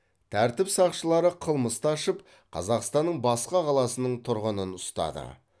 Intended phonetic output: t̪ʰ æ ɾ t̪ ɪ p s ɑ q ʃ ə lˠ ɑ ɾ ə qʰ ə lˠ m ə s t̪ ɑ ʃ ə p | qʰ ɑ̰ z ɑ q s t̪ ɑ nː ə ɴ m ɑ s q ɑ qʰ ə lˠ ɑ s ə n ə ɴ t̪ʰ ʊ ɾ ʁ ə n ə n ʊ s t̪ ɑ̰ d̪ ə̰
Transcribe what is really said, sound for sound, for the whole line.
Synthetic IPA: t̪ʰ æ ɾ t̪ ɪ p s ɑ q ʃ ə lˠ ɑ ɾ ə qʰ ə lˠ m ə s t̪ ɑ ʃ ə p | qʰ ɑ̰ z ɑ q s t̪ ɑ nː ə ɴ b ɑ s q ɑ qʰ ɑ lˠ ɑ s ə n ə ɴ t̪ʰ ʊ ɾ ʁ ə n ə n ʊ s t̪ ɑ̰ d̪ ə̰